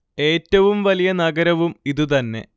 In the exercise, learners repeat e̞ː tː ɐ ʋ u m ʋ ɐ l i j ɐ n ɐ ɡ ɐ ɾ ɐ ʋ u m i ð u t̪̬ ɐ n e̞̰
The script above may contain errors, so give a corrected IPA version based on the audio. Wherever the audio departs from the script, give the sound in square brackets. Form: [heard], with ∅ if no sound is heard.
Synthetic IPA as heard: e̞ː tː ɐ ʋ u m ʋ ɐ l i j ɐ n ɐ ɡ ɐ ɾ ɐ ʋ u m i ð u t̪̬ ɐ [nː] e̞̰